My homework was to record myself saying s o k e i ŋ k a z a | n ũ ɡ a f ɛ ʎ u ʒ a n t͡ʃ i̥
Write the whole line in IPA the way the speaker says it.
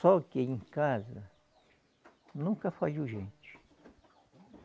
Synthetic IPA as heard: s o k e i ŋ k a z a | n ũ k a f a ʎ u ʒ e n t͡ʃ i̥